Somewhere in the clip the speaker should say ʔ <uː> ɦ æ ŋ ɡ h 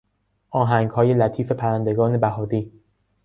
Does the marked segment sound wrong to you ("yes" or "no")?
yes